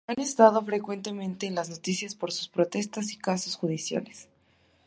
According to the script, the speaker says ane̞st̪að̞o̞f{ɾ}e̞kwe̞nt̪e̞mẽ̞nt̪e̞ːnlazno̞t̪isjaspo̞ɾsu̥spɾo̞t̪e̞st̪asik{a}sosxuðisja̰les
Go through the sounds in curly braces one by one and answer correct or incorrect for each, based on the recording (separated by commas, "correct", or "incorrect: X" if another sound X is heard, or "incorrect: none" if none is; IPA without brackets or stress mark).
correct, correct